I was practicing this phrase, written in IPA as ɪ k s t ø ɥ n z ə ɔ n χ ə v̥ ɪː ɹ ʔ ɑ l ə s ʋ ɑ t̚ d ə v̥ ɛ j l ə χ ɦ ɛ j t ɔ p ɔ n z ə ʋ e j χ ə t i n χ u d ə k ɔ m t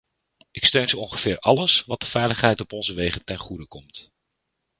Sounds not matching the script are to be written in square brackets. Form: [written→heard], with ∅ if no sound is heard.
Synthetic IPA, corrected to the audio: ɪ k s t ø ɥ n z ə ɔ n χ ə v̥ ɪː ɹ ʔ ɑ l ə s ʋ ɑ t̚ d ə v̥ ɛ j l ə χ ɦ ɛ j t ɔ p ɔ n z ə ʋ e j χ ə t [i→ɛ] n χ u d ə k ɔ m t